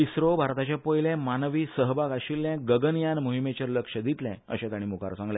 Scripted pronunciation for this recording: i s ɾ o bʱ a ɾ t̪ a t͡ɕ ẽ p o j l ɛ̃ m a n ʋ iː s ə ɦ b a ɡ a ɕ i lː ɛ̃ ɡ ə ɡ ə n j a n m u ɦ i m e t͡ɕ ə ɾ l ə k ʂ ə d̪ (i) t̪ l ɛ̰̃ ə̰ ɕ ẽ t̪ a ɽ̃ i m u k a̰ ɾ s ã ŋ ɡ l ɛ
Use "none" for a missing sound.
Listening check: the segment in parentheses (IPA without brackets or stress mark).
i